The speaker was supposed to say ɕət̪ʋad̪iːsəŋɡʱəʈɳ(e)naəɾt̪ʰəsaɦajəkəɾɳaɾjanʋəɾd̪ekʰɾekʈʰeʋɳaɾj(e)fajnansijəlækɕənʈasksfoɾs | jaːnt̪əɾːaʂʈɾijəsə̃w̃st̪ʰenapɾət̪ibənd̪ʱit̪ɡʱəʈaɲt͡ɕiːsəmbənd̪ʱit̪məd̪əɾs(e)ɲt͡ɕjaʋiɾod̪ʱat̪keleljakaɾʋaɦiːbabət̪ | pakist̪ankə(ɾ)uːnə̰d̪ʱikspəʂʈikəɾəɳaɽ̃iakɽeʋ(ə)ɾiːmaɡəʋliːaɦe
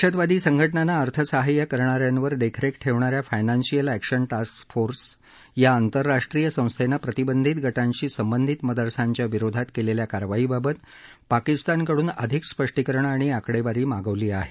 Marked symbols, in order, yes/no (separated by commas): no, no, no, no, no